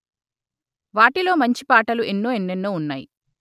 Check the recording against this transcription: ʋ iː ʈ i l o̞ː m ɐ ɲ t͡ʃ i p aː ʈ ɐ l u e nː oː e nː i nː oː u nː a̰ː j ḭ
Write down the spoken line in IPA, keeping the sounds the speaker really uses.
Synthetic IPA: ʋ aː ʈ i l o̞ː m ɐ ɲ t͡ʃ i p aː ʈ ɐ l u e nː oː e nː e nː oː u nː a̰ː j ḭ

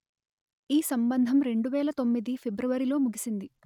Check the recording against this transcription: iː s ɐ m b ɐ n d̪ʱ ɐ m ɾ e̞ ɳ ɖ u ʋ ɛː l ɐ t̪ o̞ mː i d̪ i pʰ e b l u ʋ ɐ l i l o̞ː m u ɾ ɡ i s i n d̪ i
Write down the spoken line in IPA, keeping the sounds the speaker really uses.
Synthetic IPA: iː s ɐ m b ɐ n d̪ʱ ɐ m ɾ e̞ ɳ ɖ u ʋ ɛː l ɐ t̪ o̞ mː i d̪ i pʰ e b ɾ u ʋ ɐ ɾ i l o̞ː m u ɡ i s i n d̪ i

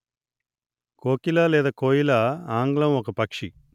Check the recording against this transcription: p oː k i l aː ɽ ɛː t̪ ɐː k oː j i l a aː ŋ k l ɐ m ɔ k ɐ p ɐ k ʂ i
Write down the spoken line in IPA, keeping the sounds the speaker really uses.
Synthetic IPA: k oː k i l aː l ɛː d̪ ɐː k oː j i l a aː ŋ ɡ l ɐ m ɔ k ɐ p ɐ k ʂ i

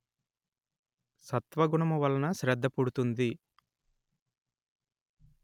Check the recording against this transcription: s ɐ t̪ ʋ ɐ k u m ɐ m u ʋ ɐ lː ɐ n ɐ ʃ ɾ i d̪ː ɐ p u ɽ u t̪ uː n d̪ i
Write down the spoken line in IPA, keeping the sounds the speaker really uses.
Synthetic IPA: s ɐ t̪ ʋ ɐ ɡ u ɳ ɐ m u ʋ ɐ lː ɐ n ɐ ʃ ɾ ɛ d̪ː ɐ p u ɽ u t̪ u n d̪ i

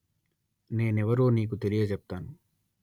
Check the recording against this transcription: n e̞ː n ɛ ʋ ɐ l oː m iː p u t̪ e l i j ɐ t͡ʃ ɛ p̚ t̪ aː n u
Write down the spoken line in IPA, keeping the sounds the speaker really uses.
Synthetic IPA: n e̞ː n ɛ ʋ ɐ ɾ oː n iː k u t̪ e l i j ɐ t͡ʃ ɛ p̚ t̪ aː n u

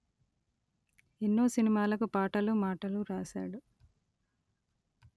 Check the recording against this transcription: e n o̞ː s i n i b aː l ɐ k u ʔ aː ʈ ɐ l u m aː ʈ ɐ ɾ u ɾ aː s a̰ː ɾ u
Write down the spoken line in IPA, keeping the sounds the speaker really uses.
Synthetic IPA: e nː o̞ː s i n i m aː l ɐ k u p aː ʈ ɐ l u m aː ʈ ɐ l u ɾ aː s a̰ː ɽ u

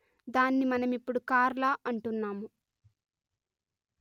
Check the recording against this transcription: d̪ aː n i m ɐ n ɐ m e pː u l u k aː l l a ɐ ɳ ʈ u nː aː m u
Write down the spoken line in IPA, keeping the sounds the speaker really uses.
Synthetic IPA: d̪ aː nː i m ɐ n ɐ m i pː u ɽ u k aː ɾ l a ɐ ɳ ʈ u nː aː m u

